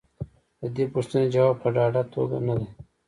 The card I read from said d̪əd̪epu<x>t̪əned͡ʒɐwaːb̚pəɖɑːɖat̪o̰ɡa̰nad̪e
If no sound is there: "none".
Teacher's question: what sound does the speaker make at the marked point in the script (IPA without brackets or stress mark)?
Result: ʂ